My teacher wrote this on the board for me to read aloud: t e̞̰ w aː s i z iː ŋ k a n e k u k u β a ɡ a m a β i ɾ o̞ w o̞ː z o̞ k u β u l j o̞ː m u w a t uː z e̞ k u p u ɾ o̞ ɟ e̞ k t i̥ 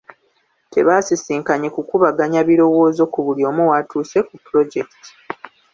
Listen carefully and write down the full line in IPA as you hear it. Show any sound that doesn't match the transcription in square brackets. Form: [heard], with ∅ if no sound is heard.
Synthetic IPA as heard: t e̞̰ [β] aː s i [s] iː ŋ k a [ɲ] e k u k u β a ɡ a [ɲ] a β i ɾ o̞ w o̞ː z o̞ k u β u l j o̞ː m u w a t uː [s] e̞ k u p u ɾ o̞ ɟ e̞ k t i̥